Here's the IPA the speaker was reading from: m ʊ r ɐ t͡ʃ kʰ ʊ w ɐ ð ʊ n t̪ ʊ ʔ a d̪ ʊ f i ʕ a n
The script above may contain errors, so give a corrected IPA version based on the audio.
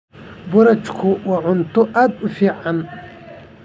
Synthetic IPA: b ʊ ɾ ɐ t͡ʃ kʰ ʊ w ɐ ʕ ʊ n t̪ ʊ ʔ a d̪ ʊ f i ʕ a n

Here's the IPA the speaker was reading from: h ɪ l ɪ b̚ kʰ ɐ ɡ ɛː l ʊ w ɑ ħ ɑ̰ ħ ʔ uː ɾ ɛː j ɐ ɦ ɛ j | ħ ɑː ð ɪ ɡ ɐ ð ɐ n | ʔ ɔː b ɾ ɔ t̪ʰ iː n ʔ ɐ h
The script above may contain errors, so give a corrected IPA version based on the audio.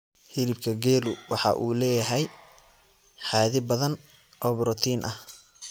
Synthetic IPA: h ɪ l ɪ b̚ kʰ ɐ ɡ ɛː l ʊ w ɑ ħ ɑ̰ ʔ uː l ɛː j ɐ ɦ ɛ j | ħ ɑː ð ɪ b ɐ ð ɐ n | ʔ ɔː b ɾ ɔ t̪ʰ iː n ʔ ɐ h

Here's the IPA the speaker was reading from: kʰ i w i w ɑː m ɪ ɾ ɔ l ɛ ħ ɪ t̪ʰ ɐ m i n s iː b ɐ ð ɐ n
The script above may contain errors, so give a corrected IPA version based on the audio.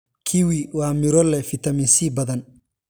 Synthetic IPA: kʰ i w i w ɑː m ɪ ɾ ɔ l ɛ f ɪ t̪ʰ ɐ m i n s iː b ɐ ð ɐ n

